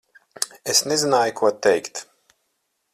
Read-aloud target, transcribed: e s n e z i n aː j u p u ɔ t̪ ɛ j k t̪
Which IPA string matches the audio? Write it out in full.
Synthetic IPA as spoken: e s n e z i n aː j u k u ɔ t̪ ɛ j k t̪